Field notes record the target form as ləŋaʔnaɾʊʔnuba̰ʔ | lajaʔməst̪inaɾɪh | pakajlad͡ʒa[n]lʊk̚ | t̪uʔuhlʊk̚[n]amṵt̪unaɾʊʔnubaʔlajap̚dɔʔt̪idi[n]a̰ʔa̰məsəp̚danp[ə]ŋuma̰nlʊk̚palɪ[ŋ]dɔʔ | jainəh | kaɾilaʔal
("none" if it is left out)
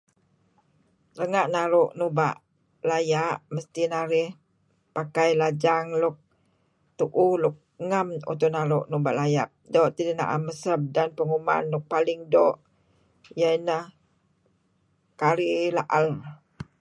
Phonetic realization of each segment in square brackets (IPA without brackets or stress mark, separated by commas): ŋ, ŋ, n, ə, ŋ